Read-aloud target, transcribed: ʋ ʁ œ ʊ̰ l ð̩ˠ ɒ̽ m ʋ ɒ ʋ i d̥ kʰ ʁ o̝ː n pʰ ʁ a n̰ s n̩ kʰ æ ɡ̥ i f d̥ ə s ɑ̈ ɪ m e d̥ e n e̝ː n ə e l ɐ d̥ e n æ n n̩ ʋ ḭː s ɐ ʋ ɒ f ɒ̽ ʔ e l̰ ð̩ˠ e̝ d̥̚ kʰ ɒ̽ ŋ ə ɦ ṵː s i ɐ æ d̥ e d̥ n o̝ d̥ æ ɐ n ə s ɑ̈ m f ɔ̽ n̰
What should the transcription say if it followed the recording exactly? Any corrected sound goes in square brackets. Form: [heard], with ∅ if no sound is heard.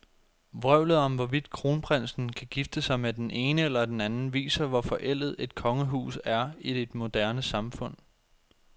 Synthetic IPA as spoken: ʋ ʁ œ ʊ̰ l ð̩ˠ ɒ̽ m ʋ ɒ ʋ i d̥ kʰ ʁ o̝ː n pʰ ʁ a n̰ s n̩ kʰ æ ɡ̥ i f d̥ ə s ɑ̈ ɪ m e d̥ e n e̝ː n ə e l ɐ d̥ e n æ n n̩ ʋ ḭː s ɐ ʋ ɒ f ɒ̽ ʔ e l̰ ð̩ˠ e̝ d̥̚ kʰ ɒ̽ ŋ ə ɦ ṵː s [æ] ɐ [i] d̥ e d̥ [m] o̝ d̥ æ ɐ n ə s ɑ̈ m f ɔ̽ n̰